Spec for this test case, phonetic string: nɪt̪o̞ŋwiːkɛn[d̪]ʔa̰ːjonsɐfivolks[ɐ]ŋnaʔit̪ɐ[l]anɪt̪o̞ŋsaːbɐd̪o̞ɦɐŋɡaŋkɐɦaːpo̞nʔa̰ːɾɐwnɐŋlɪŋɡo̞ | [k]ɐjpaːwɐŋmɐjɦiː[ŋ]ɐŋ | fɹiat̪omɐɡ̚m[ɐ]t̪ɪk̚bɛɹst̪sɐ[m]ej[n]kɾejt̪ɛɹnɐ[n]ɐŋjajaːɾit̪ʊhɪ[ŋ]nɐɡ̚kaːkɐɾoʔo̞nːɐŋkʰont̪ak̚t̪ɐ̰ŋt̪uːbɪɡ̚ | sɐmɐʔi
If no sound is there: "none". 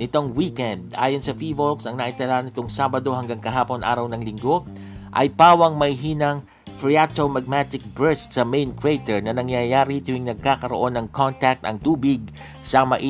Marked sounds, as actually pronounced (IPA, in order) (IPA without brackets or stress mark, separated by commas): d̪, ɐ, l, ʔ, n, a, m, n, n, ŋ